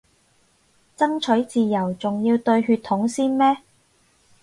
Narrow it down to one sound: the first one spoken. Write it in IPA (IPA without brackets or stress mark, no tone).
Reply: t͡s